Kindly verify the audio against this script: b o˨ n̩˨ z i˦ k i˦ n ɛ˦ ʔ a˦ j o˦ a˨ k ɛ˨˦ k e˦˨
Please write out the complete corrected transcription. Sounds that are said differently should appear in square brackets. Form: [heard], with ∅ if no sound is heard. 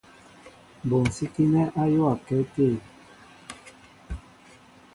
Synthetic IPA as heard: b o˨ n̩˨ [s] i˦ k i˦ n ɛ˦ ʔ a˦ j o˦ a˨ k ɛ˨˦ [t] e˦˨